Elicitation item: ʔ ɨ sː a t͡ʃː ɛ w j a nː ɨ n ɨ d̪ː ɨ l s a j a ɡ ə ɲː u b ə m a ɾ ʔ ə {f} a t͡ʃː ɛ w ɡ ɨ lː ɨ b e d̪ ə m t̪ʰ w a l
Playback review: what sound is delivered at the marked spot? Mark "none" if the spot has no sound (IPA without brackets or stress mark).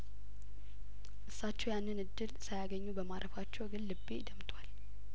f